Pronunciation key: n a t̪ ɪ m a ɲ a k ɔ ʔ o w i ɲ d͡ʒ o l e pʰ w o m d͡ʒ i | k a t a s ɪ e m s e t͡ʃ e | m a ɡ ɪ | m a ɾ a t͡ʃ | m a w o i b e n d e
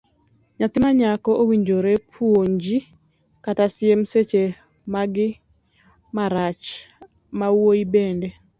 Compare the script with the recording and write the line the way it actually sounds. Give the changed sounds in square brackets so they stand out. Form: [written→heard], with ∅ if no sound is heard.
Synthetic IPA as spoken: [n→ɲ] a t̪ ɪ m a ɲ a k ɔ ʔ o w i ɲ d͡ʒ o [l→ɾ] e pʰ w o [m→ɲ] d͡ʒ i | k a t a s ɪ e m s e t͡ʃ e | m a ɡ ɪ | m a ɾ a t͡ʃ | m a w o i b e n d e